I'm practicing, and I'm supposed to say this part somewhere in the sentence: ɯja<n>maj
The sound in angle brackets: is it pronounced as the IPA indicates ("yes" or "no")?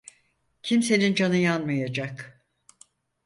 yes